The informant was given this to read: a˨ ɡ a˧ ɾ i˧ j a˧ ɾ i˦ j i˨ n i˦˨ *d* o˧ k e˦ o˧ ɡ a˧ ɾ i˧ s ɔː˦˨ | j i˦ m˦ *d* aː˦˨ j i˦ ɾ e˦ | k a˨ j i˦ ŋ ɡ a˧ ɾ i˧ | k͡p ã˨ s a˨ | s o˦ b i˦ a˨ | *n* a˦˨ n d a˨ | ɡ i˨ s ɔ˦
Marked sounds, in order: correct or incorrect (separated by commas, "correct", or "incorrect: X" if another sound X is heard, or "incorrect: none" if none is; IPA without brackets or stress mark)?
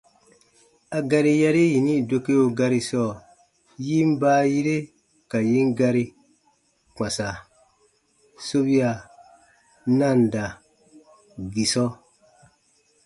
correct, incorrect: b, correct